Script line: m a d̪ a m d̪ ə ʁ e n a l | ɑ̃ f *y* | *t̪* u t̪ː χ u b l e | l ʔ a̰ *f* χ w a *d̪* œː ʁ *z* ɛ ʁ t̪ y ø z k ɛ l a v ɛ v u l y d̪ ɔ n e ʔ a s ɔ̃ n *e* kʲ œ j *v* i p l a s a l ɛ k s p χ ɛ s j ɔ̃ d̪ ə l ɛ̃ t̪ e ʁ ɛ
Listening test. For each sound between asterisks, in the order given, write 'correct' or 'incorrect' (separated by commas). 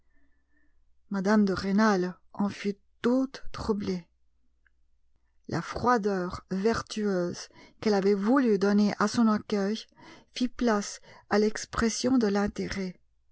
correct, correct, correct, correct, incorrect, incorrect, incorrect